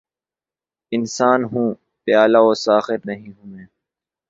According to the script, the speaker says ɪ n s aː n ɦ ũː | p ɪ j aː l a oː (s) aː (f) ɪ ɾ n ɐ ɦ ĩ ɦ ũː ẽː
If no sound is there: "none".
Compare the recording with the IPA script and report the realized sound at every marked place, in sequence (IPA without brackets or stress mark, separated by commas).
s, x